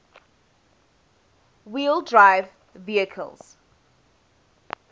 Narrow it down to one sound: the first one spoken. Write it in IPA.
w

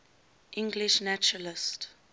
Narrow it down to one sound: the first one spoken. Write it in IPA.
ʔ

